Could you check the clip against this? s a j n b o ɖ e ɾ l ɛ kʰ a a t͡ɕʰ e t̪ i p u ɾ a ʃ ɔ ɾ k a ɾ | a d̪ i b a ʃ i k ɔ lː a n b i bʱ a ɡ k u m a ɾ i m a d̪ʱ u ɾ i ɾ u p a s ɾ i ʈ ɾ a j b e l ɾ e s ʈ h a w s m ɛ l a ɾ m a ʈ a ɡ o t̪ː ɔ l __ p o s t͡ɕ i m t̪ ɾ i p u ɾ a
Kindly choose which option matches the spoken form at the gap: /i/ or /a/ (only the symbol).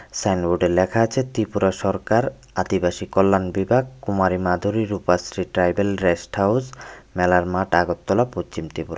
a